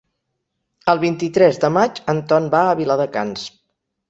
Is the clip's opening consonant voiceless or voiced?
voiced